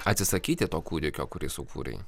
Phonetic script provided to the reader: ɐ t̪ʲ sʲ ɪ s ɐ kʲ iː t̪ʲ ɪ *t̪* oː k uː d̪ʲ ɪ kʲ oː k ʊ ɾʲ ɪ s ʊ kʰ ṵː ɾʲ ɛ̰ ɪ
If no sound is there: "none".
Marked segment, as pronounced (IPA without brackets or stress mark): t̪